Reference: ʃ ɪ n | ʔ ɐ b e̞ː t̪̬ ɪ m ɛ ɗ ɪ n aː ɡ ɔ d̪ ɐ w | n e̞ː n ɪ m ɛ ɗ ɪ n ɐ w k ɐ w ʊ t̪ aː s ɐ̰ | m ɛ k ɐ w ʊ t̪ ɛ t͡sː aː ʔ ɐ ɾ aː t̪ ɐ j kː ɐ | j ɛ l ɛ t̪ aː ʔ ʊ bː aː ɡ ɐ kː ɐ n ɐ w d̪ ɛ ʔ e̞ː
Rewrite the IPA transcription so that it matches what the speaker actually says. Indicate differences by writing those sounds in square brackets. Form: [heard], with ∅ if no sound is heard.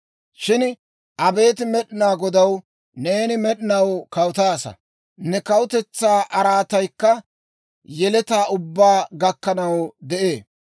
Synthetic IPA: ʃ ɪ n | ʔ ɐ b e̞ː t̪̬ ɪ m ɛ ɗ ɪ n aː ɡ ɔ d̪ ɐ w | n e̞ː n ɪ m ɛ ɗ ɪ n ɐ w k ɐ w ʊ t̪ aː s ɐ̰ | [n] ɛ k ɐ w ʊ t̪ ɛ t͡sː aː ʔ ɐ ɾ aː t̪ ɐ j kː ɐ | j ɛ l ɛ t̪ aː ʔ ʊ bː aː ɡ ɐ kː ɐ n ɐ w d̪ ɛ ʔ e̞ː